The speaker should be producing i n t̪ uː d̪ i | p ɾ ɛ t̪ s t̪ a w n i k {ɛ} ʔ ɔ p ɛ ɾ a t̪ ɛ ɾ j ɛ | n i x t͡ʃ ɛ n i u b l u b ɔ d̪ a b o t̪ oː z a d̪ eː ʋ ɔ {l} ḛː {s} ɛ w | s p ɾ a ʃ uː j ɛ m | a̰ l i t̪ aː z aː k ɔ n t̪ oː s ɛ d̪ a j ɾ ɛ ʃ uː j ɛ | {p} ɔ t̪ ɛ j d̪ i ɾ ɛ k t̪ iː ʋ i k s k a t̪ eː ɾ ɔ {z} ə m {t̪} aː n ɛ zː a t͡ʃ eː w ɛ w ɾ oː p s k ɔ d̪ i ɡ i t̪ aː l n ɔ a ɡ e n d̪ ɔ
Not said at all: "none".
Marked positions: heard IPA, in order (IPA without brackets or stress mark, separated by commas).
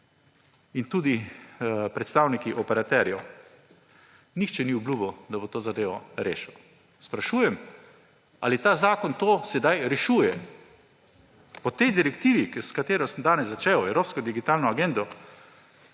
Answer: i, ɾ, ʃ, p, s, d̪